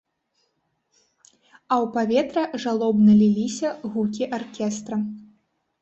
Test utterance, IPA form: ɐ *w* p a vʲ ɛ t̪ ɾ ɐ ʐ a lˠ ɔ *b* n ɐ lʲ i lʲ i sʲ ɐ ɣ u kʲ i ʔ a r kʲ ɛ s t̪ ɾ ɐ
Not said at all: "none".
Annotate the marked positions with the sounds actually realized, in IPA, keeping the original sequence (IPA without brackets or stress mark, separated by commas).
w, b